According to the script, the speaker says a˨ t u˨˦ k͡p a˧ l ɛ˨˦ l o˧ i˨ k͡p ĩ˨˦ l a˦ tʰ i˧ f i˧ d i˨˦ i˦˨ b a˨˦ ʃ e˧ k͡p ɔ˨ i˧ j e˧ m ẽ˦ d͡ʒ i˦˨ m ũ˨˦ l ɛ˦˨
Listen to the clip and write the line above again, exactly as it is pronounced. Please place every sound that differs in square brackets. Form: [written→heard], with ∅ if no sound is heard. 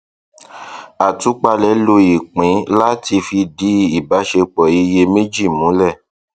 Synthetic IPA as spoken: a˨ t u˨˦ k͡p a˧ l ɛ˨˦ l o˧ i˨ k͡p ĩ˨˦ l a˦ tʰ i˧ f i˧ d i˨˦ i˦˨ b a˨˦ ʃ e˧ k͡p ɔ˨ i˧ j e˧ m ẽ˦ d͡ʒ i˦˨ m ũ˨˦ l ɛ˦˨

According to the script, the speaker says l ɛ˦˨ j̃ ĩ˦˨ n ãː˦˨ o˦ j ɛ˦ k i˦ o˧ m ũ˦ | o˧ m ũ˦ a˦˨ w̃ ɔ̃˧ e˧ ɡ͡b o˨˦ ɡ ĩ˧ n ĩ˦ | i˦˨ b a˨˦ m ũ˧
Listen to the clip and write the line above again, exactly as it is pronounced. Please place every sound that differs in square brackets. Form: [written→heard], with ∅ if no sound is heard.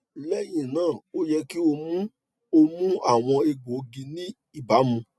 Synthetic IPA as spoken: l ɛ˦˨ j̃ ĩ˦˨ n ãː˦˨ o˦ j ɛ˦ k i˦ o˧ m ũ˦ | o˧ m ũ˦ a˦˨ w̃ ɔ̃˧ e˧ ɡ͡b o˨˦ ɡ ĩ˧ n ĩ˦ | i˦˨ b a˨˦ m ũ˧

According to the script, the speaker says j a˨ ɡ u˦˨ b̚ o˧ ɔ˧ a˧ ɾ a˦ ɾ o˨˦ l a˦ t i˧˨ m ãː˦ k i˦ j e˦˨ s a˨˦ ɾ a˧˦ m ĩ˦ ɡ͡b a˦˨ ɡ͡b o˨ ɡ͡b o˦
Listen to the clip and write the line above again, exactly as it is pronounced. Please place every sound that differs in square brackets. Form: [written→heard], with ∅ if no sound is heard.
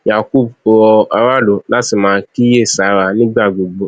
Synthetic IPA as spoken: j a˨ [ɡ→k] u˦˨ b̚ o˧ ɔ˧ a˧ ɾ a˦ [ɾ→l] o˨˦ l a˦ t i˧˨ m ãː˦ k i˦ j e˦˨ s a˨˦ ɾ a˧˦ [m→n] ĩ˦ ɡ͡b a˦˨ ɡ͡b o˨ ɡ͡b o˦

